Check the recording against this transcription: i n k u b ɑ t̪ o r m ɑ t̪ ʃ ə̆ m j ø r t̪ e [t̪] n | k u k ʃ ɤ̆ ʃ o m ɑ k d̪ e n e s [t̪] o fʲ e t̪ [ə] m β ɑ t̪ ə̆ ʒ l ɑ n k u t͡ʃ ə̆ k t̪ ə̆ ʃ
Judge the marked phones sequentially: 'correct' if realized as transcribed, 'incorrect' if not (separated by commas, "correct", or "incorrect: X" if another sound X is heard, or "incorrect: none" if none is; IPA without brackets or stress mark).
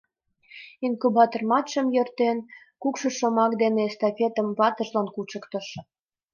incorrect: none, correct, correct